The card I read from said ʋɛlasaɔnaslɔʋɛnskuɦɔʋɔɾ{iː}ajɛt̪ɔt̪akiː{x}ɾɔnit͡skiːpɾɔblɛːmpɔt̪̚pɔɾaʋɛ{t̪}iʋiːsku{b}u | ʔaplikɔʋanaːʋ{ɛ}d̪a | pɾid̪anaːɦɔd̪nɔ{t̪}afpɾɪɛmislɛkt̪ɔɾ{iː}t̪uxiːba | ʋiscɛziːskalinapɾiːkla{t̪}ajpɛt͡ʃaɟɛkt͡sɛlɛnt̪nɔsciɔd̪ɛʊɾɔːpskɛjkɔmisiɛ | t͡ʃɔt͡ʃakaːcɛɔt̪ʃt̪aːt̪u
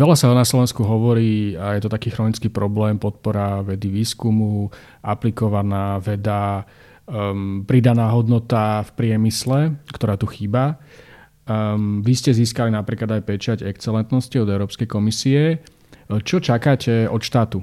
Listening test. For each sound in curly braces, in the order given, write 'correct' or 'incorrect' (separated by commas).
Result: correct, correct, incorrect, incorrect, correct, correct, incorrect, incorrect